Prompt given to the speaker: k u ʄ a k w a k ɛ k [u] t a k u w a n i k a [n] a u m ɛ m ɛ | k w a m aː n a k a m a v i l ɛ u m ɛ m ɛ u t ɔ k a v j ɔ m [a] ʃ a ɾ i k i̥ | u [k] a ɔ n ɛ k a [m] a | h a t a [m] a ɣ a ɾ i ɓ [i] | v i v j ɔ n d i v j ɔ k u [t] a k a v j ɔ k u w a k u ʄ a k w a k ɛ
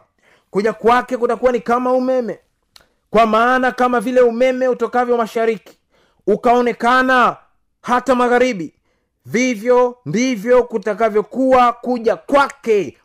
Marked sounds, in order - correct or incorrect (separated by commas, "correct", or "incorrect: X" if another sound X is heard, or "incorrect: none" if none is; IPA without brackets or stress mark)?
correct, incorrect: m, correct, correct, incorrect: n, correct, correct, correct